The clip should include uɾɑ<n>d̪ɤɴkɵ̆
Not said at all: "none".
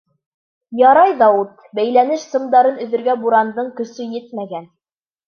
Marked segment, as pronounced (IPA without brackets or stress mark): n